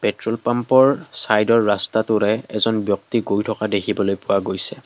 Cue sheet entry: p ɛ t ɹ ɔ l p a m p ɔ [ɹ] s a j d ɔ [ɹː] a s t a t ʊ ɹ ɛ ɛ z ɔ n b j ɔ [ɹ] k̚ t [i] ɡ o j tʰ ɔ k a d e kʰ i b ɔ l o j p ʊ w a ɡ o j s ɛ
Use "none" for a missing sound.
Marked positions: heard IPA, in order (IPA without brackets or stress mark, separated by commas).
ɹ, ɹː, none, i